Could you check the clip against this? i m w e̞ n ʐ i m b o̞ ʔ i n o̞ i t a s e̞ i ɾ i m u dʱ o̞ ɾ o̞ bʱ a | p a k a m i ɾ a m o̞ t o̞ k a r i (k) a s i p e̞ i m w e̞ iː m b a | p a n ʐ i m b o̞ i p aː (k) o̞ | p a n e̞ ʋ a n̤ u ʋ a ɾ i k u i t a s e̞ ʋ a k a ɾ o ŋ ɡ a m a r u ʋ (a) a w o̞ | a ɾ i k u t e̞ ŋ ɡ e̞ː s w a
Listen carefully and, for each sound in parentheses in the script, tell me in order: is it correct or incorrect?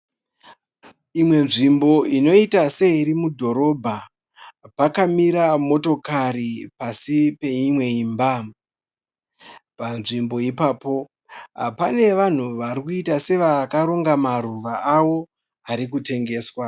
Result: incorrect, incorrect, correct

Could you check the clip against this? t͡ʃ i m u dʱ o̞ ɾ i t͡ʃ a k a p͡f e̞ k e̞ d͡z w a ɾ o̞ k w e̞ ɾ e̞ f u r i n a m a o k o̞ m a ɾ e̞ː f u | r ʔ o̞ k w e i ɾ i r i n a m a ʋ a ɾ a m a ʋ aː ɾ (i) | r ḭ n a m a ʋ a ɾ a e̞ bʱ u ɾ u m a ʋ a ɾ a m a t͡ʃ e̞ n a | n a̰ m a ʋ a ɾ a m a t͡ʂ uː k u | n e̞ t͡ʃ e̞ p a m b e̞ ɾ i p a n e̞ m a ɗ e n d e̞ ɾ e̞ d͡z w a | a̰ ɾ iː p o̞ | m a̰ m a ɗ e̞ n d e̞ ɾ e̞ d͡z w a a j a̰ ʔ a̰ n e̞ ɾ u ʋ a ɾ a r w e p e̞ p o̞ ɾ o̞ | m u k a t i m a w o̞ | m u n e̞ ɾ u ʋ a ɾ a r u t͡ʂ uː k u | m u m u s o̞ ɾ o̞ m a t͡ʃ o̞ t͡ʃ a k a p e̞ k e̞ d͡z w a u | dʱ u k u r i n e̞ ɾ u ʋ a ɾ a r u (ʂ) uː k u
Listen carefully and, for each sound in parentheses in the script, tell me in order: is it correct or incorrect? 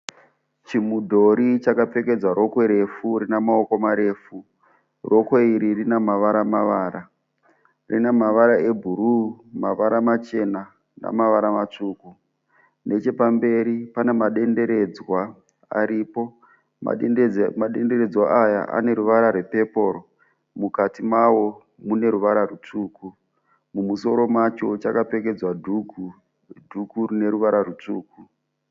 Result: incorrect, incorrect

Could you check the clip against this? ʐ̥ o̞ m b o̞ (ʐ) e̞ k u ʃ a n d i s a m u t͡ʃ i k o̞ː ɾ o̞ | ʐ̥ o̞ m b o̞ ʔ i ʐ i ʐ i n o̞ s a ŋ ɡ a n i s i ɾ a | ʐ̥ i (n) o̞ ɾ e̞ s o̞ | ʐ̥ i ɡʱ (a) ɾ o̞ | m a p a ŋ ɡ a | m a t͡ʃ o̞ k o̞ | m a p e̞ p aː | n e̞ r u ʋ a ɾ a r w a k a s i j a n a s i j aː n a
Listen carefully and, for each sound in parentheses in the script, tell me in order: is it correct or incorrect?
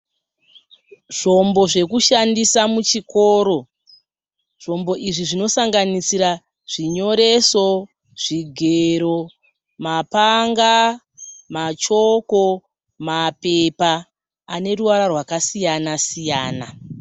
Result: correct, incorrect, incorrect

